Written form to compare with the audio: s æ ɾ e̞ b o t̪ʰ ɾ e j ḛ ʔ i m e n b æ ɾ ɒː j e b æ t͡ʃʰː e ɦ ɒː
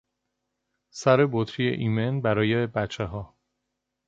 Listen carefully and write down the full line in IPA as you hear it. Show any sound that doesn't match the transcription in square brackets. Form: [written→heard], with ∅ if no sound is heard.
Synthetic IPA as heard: s æ ɾ e̞ b o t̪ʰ ɾ [e→i] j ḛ ʔ i m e n b æ ɾ ɒː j e b æ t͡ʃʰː e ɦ ɒː